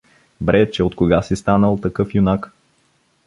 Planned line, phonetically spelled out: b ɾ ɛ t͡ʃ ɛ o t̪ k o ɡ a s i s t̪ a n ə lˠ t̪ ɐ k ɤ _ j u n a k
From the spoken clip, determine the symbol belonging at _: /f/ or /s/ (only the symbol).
f